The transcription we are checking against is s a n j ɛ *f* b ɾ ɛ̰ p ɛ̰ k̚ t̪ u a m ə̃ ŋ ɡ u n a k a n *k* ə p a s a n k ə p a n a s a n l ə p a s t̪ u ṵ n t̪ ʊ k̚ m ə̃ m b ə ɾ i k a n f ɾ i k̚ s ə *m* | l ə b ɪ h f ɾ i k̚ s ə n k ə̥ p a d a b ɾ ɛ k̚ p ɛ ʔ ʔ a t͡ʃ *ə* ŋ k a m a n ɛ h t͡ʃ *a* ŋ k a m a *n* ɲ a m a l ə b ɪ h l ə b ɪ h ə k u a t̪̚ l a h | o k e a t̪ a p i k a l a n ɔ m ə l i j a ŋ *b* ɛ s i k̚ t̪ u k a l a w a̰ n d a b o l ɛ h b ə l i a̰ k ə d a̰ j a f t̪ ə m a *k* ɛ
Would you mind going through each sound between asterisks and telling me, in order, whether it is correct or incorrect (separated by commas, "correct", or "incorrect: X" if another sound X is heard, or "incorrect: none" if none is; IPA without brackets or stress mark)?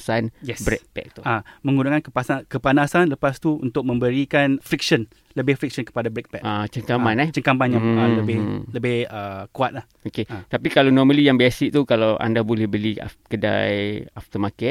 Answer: incorrect: s, correct, incorrect: n, correct, incorrect: ə, correct, correct, correct